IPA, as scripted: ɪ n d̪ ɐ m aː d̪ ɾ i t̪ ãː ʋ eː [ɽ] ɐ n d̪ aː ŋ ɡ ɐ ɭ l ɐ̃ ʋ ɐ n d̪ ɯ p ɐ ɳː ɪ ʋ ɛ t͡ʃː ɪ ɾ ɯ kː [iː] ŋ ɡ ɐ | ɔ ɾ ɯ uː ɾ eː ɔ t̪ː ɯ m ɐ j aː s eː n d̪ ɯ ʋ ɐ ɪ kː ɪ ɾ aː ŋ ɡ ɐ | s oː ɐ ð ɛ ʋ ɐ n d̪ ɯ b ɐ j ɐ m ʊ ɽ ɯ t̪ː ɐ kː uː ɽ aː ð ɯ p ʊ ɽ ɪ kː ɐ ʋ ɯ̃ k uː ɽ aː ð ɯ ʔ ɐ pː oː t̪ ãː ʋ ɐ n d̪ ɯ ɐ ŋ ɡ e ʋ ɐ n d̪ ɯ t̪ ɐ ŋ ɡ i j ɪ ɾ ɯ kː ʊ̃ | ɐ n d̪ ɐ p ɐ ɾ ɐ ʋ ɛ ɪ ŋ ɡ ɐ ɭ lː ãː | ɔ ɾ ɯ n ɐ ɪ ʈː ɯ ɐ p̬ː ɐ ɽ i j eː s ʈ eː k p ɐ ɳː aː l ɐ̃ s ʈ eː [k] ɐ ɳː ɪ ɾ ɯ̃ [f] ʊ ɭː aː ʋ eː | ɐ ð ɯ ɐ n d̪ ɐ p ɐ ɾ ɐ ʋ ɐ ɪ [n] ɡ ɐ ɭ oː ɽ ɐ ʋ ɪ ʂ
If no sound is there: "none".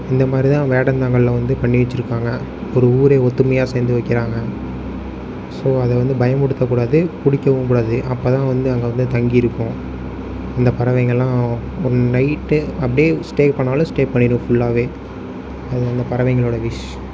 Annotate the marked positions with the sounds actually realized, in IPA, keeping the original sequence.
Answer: ɽ, aː, p, f, ŋ

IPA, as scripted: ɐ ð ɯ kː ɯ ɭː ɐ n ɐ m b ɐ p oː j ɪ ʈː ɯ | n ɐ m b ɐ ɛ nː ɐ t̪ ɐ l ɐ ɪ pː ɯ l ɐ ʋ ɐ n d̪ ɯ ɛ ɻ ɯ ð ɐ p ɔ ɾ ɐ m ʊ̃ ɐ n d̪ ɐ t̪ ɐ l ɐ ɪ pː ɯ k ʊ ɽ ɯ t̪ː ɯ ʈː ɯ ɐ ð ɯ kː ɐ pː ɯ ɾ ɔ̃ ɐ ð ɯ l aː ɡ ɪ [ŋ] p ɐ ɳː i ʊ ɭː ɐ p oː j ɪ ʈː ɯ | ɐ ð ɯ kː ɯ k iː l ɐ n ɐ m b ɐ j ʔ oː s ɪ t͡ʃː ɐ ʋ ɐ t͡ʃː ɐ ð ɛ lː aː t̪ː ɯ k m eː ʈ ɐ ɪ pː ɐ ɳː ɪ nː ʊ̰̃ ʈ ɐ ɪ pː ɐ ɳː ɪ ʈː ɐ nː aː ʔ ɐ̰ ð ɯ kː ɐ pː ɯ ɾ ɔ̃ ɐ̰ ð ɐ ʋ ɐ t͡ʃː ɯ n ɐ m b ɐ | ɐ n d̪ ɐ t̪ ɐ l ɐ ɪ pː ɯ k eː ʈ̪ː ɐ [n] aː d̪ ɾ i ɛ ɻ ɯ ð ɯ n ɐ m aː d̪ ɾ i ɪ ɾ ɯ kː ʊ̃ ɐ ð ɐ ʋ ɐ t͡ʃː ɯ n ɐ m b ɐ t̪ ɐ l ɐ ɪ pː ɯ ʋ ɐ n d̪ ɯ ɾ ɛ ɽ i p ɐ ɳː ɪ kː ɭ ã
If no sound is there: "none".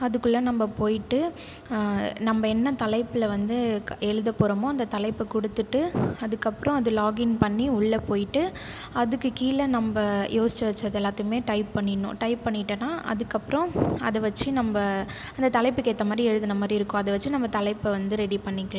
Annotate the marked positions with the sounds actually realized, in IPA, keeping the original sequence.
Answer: n, m

